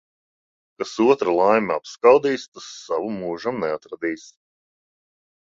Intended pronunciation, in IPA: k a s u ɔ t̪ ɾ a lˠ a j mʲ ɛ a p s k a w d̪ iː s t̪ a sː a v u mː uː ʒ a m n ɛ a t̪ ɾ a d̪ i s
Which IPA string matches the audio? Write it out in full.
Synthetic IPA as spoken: k a s u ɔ t̪ ɾ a lˠ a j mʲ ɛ a p s k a w d̪ iː s t̪ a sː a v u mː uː ʒ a m n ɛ a t̪ ɾ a d̪ iː s